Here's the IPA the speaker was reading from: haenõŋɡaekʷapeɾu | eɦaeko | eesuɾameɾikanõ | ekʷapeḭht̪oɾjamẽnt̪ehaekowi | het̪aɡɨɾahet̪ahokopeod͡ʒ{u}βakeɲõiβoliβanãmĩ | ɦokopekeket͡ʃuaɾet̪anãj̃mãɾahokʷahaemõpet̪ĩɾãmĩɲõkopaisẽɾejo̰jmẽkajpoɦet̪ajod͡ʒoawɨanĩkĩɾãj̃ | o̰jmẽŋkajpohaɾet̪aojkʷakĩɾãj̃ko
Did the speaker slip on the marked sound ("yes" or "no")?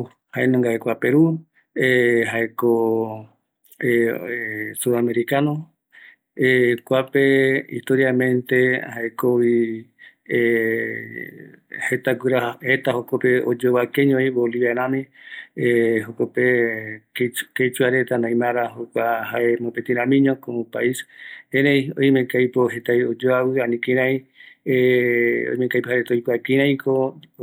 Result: yes